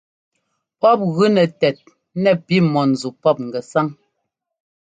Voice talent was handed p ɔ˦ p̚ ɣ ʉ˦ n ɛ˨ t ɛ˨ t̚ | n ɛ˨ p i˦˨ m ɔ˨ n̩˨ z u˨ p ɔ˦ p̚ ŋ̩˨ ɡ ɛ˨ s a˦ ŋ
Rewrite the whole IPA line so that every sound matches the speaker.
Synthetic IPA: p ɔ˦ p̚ ɣ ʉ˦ n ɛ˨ t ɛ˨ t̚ | n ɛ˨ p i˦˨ m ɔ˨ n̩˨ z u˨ p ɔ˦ p̚ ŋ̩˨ ɡ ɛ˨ s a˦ ŋ